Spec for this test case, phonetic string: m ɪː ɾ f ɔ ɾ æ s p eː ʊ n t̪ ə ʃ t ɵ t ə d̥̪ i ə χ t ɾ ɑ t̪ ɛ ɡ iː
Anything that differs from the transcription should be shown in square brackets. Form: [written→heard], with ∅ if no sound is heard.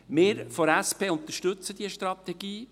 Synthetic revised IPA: m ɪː ɾ f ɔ ɾ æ s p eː ʊ n t̪ ə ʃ t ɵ [t→t͡s] ə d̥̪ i ə [χ→ʃ] t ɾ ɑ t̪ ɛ ɡ iː